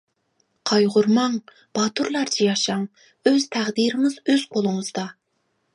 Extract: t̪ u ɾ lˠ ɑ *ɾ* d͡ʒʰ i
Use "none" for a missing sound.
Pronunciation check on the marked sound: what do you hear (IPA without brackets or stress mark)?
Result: ɾ